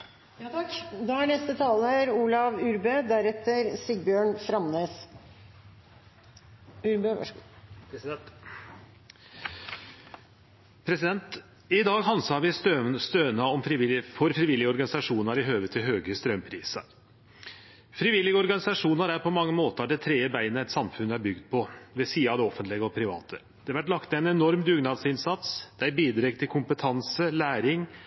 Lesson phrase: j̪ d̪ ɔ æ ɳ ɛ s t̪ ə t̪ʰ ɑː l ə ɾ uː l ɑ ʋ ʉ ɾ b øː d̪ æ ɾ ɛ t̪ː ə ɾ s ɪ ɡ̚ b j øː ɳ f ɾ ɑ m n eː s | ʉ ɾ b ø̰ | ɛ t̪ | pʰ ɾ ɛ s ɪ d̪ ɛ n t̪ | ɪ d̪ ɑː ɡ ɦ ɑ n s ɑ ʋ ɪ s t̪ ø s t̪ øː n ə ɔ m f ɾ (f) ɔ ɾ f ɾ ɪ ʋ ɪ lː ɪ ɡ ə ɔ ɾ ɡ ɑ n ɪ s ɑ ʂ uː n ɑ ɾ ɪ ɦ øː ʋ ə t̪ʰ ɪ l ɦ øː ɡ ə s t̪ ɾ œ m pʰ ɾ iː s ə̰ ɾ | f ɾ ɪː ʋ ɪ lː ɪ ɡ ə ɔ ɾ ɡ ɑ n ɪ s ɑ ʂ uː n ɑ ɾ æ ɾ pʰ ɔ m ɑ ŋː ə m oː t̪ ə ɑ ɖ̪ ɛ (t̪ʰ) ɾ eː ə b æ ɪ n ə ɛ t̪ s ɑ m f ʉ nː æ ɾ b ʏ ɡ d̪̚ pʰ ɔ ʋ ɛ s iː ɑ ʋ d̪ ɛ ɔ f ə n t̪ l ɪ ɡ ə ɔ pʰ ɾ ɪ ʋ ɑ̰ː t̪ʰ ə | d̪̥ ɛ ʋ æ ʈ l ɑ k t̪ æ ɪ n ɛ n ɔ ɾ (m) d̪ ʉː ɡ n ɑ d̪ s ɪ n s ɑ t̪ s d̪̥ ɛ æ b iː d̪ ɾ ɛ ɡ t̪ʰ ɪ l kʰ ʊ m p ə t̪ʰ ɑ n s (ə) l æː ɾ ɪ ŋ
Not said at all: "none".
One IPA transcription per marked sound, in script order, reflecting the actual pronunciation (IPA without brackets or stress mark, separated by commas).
f, t̪ʰ, m, ə